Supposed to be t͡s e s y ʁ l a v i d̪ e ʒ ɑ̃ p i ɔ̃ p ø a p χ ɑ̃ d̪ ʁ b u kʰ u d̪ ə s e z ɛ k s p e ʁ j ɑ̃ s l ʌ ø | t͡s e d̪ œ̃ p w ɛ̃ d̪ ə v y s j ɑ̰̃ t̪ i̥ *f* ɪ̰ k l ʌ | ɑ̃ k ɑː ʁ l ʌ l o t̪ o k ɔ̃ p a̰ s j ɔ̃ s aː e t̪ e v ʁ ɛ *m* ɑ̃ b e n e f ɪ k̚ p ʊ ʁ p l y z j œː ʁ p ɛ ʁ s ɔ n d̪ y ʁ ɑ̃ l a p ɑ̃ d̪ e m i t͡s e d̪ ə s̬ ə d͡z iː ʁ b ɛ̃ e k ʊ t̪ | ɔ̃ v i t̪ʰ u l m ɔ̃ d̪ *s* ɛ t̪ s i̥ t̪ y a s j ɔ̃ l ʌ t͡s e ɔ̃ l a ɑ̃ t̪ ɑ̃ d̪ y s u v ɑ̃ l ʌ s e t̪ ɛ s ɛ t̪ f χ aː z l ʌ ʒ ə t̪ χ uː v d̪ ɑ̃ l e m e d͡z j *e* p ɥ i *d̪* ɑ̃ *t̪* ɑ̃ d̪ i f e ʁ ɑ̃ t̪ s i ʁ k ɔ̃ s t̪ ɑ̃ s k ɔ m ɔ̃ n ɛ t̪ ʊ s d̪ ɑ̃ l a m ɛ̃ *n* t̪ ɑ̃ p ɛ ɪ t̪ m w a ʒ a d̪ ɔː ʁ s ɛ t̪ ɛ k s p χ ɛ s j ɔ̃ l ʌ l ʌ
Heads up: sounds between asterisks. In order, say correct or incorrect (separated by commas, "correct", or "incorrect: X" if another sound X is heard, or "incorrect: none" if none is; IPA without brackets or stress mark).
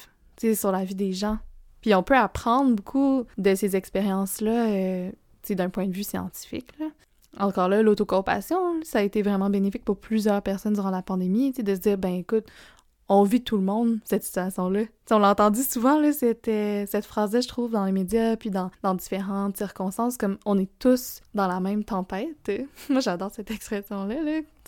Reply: correct, correct, correct, incorrect: a, correct, incorrect: d̪, incorrect: m